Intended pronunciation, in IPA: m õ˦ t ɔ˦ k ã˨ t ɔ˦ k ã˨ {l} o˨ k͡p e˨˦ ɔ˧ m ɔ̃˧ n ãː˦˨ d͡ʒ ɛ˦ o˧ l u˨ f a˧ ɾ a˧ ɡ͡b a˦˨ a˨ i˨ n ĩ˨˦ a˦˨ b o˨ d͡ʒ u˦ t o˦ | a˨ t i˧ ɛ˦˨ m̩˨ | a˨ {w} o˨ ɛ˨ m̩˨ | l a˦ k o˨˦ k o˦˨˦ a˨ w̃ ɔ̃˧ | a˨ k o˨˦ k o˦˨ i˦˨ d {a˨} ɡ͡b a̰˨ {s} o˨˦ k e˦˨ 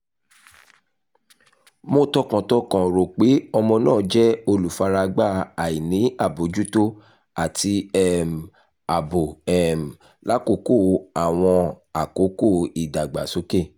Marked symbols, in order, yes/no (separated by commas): no, no, yes, yes